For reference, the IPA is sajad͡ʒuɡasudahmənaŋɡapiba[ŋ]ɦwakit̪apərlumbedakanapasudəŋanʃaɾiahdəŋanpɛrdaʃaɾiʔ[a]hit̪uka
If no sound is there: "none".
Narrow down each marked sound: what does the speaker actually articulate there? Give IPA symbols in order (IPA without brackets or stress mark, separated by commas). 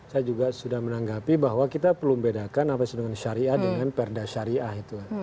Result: none, a